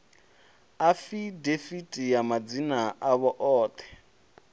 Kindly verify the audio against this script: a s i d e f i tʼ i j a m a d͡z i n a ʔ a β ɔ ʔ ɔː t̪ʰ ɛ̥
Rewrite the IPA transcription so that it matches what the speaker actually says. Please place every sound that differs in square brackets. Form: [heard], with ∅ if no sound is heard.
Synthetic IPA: a [f] i d e f i tʼ i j a m a d͡z i n a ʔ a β ɔ ʔ ɔː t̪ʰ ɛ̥